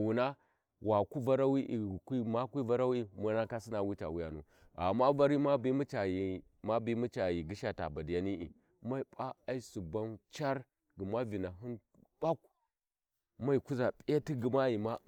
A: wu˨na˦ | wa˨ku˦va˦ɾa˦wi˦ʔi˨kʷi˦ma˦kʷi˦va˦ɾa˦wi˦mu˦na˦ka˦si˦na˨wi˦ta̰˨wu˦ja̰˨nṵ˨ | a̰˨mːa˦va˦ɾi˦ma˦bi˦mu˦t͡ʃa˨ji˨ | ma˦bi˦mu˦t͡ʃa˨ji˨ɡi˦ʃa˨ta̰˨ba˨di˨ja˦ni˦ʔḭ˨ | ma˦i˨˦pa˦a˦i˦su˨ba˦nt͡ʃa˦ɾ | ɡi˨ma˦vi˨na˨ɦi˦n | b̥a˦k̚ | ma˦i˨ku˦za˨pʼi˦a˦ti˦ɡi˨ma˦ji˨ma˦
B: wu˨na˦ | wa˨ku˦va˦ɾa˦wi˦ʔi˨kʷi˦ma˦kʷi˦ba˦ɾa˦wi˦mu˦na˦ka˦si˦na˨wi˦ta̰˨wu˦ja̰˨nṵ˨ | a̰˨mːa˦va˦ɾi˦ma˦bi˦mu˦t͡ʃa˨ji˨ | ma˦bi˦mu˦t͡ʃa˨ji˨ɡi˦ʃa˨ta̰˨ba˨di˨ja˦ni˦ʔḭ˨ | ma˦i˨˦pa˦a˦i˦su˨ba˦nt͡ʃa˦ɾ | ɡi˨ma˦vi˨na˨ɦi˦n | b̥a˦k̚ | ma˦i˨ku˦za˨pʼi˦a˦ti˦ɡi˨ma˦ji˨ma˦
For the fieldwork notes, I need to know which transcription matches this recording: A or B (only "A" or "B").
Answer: A